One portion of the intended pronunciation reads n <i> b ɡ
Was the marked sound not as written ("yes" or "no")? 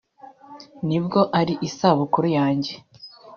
no